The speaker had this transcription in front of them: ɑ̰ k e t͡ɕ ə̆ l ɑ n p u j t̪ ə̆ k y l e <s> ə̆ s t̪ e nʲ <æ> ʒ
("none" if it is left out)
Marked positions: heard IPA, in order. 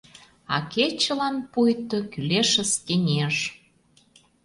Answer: ʃ, e

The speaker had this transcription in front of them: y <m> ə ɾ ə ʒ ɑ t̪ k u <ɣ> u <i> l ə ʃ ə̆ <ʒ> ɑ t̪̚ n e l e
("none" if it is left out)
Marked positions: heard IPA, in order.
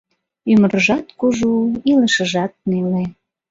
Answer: m, ʒ, i, ʒ

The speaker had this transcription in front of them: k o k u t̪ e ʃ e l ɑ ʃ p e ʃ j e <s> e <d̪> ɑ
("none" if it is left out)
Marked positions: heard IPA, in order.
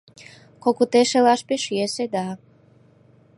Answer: s, d̪

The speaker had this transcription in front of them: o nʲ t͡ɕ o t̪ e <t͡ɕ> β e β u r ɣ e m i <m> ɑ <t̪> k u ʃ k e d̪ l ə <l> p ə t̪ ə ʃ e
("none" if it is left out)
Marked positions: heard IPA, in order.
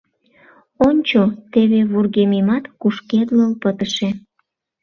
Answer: none, m, t̪, l

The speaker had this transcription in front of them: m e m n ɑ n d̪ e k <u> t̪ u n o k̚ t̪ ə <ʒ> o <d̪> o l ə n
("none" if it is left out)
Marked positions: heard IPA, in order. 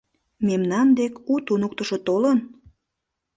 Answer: u, ʃ, t̪

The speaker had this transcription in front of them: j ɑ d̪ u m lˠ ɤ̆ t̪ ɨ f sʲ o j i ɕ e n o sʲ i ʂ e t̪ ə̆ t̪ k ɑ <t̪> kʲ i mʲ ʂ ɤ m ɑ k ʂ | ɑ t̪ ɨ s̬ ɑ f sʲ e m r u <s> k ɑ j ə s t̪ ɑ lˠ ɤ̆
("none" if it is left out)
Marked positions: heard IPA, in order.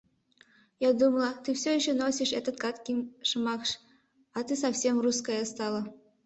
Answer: t̪, s

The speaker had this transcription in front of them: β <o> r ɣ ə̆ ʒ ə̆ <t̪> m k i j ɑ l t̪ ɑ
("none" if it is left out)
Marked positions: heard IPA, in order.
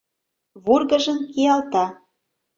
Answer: u, none

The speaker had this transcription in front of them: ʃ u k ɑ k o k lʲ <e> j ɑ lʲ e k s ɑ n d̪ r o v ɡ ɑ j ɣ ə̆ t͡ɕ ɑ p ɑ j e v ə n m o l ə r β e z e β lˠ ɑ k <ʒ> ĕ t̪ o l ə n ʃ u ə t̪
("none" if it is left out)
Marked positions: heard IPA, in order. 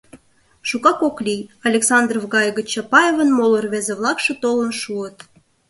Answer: i, ʃ

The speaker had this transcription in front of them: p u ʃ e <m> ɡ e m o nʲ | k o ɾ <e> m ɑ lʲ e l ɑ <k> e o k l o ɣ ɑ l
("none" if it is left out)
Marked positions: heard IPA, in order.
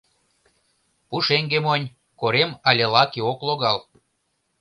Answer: ŋ, e, k

